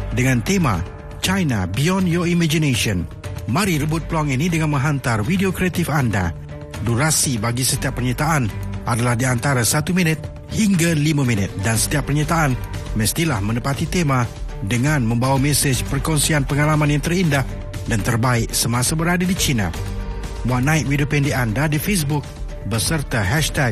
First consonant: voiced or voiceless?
voiced